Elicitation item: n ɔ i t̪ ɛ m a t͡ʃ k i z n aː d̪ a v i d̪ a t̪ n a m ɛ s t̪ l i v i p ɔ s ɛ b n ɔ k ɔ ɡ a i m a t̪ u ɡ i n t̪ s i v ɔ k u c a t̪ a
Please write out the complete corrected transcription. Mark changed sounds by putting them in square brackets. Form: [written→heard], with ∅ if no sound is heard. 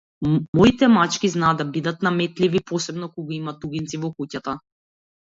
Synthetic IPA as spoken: [n→m] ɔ i t̪ ɛ m a t͡ʃ k i z n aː d̪ a [v→b] i d̪ a t̪ n a m ɛ [s→∅] t̪ l i v i p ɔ s ɛ b n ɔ k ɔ ɡ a i m a t̪ u ɡ i n t̪ s i v ɔ k u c a t̪ a